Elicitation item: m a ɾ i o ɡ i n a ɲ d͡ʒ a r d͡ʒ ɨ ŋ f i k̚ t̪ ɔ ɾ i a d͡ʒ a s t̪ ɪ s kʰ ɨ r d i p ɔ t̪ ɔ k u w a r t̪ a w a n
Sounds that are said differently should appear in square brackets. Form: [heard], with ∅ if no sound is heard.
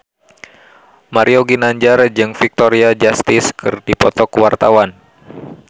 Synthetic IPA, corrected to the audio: m a ɾ i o ɡ i n a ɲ d͡ʒ a r d͡ʒ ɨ ŋ f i k̚ t̪ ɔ ɾ i a d͡ʒ a s t̪ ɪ s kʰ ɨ r d i p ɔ t̪ ɔ k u w a r t̪ a w a n